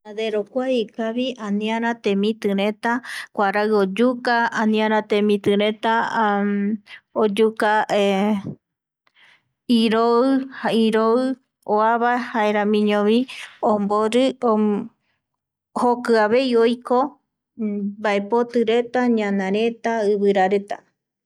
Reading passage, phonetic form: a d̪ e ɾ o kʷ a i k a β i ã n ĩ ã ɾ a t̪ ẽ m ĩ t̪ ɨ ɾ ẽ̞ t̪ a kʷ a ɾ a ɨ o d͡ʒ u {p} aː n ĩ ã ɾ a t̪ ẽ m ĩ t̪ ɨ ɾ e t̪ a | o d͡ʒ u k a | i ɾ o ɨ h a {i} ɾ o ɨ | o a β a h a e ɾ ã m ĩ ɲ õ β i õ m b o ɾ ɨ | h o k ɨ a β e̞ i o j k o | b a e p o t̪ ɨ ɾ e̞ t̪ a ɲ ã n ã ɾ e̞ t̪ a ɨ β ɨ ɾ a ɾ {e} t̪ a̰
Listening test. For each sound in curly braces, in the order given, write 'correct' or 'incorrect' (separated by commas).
incorrect, correct, correct